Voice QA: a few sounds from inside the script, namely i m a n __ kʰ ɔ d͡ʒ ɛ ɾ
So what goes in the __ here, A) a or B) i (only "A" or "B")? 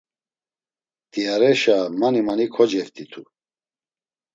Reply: B